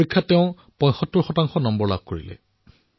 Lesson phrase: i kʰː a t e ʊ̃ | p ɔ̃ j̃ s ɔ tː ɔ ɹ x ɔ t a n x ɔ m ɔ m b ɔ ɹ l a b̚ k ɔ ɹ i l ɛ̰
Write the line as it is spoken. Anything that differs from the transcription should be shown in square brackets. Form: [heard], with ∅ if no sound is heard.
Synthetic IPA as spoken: i kʰː a t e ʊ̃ | p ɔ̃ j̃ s ɔ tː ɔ ɹ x ɔ t a [ŋ] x ɔ [n] ɔ m b ɔ ɹ l a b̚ k [o] ɹ i l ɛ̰